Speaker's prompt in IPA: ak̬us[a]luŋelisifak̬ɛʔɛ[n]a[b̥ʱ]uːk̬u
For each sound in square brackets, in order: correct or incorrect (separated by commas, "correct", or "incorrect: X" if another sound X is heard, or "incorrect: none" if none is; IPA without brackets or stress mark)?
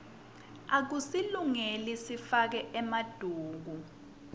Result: incorrect: i, incorrect: m, incorrect: d̥ʱ